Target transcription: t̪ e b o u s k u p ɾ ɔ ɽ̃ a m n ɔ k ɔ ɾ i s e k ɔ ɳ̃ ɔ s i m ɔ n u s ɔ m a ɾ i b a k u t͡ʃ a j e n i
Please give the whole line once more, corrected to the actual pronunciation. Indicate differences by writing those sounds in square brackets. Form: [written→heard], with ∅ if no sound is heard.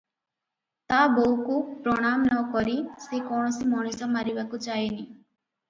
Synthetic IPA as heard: t̪ [e→a] b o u [s→∅] k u p ɾ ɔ ɽ̃ a m n ɔ k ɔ ɾ i s e k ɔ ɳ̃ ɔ s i m ɔ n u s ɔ m a ɾ i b a k u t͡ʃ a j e n i

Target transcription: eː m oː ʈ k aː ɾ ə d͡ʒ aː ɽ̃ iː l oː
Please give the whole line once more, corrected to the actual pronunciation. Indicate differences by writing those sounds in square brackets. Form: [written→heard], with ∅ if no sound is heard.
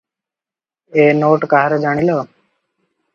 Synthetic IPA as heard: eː [m→n] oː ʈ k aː ɾ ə d͡ʒ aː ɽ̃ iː l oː

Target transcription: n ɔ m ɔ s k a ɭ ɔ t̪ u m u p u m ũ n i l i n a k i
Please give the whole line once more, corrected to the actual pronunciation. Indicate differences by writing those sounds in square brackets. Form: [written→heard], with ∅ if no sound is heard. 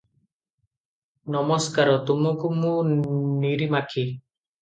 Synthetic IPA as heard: n ɔ m ɔ s k a [ɭ→ɾ] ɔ t̪ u m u [p→k] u m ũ n i [l→ɾ] i [n→m] a [k→kʰ] i

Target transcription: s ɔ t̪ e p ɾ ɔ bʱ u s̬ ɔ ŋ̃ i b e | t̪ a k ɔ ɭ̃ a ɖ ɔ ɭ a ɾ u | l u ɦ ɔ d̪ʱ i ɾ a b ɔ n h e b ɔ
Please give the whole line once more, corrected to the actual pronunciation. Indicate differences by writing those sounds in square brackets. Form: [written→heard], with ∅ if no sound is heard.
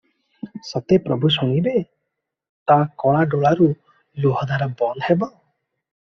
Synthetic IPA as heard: s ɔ t̪ e p ɾ ɔ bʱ u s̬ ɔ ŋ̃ i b e | t̪ a k ɔ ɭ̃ a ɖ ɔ ɭ a ɾ u | l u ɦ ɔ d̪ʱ [i→a] ɾ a b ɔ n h e b ɔ

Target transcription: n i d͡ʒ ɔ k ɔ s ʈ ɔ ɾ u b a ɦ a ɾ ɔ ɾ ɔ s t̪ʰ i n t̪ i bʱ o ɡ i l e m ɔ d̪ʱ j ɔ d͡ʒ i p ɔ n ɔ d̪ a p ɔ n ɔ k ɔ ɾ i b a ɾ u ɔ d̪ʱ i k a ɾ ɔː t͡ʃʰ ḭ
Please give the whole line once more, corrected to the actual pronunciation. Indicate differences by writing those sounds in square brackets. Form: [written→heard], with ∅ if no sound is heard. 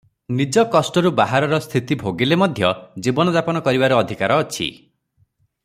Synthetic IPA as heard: n i d͡ʒ ɔ k ɔ s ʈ ɔ ɾ u b a ɦ a ɾ ɔ ɾ ɔ s t̪ʰ i [n→∅] t̪ i bʱ o ɡ i l e m ɔ d̪ʱ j ɔ d͡ʒ i [p→b] ɔ n ɔ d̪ a p ɔ n ɔ k ɔ ɾ i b a ɾ u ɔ d̪ʱ i k a ɾ ɔː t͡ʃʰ ḭ

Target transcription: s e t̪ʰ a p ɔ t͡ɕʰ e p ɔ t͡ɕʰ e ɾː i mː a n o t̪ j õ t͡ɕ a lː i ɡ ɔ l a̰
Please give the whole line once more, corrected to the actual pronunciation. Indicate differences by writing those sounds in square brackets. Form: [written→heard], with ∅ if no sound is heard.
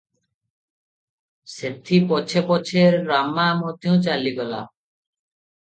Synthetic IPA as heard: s e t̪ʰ [a→i] p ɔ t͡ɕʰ e p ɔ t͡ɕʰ e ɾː [i→a] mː a [n→m] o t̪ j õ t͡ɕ a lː i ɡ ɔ l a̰

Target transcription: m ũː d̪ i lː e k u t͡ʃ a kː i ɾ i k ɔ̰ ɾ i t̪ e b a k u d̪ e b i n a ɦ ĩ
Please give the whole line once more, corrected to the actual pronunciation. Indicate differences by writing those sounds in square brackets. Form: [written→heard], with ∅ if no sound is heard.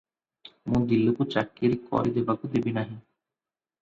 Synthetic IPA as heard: m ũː d̪ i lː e k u t͡ʃ a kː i ɾ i k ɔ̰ ɾ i [t̪→d̪] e b a k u d̪ e b i n a ɦ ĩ

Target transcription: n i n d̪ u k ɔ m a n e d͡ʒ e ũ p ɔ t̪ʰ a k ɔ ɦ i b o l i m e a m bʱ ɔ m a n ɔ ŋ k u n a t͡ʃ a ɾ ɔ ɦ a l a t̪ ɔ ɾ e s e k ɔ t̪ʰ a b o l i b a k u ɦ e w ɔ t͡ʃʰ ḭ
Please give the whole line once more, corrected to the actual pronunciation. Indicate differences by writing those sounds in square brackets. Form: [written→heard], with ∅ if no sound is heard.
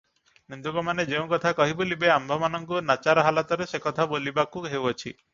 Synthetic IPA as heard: n i n d̪ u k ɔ m a n e d͡ʒ e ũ [p→k] ɔ t̪ʰ a k ɔ ɦ i b o l i [m→b] e a m bʱ ɔ m a n ɔ ŋ k u n a t͡ʃ a ɾ ɔ ɦ a l a t̪ ɔ ɾ e s e k ɔ t̪ʰ a b o l i b a k u ɦ e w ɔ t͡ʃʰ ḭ

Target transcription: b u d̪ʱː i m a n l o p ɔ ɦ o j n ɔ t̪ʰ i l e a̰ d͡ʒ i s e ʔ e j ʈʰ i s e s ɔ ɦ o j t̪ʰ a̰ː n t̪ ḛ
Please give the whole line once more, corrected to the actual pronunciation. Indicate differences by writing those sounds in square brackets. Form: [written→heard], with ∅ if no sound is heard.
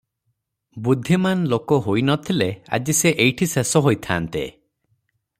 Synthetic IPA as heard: b u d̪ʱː i m a n l o [p→k] ɔ ɦ o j n ɔ t̪ʰ i l e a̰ d͡ʒ i s e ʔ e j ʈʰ i s e s ɔ ɦ o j t̪ʰ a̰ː n t̪ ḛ

